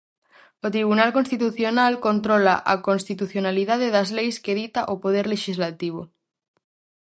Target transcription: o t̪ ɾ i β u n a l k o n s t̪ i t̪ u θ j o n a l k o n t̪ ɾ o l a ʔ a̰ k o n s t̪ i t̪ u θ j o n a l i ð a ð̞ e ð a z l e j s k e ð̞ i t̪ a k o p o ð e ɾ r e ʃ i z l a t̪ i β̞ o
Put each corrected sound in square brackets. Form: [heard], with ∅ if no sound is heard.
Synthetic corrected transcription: o t̪ ɾ i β u n a l k o n s t̪ i t̪ u θ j o n a l k o n t̪ ɾ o l a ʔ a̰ k o n s t̪ i t̪ u θ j o n a l i ð a ð̞ e ð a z l e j s k e ð̞ i t̪ a [ʔ] o p o ð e ɾ [l] e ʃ i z l a t̪ i β̞ o